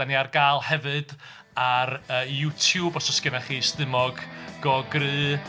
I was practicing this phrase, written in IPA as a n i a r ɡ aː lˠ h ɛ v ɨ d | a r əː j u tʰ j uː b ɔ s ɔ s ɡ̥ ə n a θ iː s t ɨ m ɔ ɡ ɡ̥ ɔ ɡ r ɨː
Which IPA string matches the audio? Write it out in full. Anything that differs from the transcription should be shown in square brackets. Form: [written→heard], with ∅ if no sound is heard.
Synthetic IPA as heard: a n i a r ɡ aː lˠ h ɛ v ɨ d | a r əː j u tʰ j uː b ɔ s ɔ s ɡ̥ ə n a [θ→χ] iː s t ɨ m ɔ ɡ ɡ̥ ɔ ɡ r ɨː